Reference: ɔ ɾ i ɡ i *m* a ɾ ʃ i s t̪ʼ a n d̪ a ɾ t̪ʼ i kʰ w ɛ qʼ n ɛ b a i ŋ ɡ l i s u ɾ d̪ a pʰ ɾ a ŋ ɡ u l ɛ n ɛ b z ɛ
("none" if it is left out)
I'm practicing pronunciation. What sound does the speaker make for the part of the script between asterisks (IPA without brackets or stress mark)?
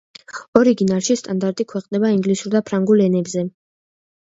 n